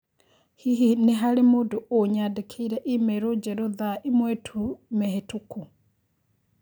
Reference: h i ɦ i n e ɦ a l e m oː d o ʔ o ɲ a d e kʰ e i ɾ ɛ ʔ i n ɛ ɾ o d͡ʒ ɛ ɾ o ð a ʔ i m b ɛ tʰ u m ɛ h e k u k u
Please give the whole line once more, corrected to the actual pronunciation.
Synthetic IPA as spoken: h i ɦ i n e ɦ a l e m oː d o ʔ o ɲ a d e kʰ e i ɾ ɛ ʔ i m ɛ ɾ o d͡ʒ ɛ ɾ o ð a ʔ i m w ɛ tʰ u m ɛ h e t u k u